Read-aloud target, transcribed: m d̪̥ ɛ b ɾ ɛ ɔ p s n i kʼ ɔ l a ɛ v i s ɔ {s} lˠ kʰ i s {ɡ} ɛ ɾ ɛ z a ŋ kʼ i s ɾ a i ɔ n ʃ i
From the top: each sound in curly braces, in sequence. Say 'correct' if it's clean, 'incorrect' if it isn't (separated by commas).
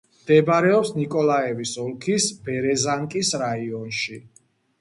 incorrect, incorrect